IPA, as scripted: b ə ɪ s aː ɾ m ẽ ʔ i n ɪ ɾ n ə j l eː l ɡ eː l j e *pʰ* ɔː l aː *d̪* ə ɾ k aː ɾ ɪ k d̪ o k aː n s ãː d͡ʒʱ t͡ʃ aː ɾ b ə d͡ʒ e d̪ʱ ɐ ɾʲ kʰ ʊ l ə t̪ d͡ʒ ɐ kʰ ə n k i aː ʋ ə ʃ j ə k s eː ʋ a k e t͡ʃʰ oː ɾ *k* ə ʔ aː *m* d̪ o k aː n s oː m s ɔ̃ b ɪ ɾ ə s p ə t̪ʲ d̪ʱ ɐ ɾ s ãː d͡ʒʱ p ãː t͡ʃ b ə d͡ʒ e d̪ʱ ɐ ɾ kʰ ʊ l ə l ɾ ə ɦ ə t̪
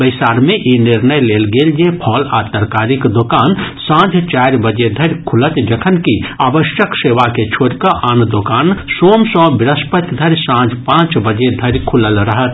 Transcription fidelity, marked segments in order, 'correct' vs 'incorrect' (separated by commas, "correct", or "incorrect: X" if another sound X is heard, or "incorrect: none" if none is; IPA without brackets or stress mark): correct, incorrect: t̪, correct, incorrect: n